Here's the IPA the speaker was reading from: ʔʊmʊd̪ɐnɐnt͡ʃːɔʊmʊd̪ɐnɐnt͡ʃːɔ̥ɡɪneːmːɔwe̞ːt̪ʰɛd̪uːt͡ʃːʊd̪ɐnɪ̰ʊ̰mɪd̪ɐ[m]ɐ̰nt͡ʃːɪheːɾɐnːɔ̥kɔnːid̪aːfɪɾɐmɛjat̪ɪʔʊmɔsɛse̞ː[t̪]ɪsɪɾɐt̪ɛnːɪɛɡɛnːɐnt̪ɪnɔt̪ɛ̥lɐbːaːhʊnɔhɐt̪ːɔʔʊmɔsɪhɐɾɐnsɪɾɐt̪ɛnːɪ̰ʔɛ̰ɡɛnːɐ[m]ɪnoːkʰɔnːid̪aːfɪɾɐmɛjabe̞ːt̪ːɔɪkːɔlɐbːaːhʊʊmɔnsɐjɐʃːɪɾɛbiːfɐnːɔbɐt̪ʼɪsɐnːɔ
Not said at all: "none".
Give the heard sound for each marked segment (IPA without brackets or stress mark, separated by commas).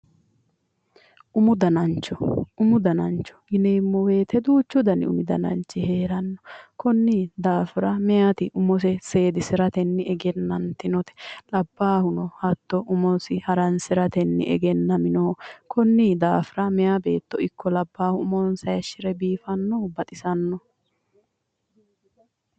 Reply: n, d̪, m